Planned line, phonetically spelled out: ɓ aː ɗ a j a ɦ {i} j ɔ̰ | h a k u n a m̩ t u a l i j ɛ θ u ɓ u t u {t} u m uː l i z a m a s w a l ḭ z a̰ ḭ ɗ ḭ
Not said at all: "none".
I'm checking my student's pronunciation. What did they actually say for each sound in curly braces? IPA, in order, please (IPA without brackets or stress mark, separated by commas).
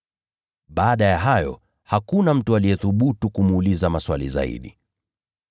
a, k